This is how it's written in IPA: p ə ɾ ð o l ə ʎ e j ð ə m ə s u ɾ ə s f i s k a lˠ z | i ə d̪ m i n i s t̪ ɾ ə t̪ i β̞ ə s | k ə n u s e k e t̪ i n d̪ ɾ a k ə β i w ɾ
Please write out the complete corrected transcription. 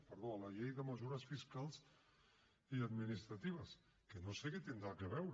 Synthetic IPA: p ə ɾ ð o l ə ʎ e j ð ə m ə z u ɾ ə s f i s k a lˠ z | i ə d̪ m i n i s t̪ ɾ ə t̪ i β̞ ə s | k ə n o s e k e t̪ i n d̪ ɾ a k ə β ɛ w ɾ